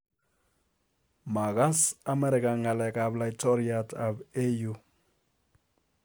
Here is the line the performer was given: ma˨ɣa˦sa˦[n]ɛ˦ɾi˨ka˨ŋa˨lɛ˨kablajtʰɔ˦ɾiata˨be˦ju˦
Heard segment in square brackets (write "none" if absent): m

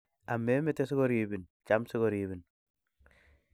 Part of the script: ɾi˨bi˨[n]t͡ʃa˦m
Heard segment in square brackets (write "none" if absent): n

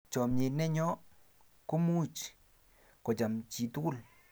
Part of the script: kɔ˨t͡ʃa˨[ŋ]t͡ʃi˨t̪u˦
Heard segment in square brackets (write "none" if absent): m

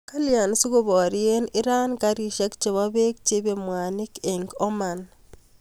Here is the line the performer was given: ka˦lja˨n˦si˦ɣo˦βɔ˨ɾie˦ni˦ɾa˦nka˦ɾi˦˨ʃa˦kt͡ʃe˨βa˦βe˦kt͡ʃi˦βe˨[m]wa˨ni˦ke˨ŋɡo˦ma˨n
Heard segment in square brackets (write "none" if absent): m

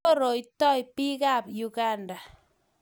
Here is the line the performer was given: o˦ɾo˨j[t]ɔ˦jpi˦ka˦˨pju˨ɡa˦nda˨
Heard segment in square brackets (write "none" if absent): t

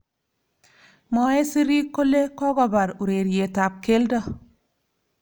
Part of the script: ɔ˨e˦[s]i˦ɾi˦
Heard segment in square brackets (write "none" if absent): s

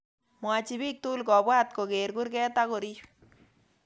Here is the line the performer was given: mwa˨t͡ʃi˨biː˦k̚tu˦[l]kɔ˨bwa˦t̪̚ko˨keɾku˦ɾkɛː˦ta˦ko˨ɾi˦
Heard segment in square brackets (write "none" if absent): l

